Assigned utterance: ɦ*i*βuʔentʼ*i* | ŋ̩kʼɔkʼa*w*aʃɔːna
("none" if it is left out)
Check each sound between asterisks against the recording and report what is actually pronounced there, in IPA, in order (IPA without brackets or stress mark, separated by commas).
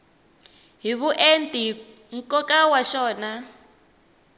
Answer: i, i, w